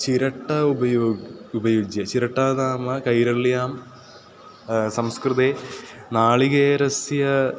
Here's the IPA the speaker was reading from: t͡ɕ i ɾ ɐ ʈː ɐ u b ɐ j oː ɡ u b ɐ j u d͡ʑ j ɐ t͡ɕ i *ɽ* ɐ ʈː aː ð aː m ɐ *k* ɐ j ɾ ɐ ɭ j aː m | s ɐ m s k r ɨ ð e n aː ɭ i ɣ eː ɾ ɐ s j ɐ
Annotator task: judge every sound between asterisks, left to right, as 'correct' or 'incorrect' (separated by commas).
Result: incorrect, correct